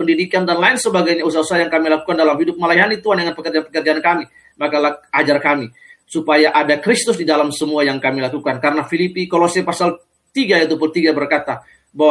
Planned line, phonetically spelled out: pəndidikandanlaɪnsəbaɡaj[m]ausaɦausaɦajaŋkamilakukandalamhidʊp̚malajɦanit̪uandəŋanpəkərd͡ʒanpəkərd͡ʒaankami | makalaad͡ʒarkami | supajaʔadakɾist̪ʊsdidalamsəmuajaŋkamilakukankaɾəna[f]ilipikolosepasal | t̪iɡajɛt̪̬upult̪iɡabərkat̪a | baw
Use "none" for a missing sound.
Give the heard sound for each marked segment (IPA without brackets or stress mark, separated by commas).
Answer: ɲ, f